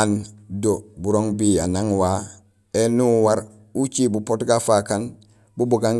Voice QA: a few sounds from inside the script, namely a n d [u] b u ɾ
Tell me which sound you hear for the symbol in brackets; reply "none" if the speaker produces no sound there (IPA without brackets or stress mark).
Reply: o